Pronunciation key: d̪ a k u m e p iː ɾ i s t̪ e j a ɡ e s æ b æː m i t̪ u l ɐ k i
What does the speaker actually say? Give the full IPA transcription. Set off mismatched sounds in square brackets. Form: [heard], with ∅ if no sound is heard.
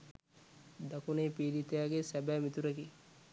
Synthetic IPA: d̪ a k u [n] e p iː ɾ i [∅] t̪ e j a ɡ e s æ b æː m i t̪ u [ɾ] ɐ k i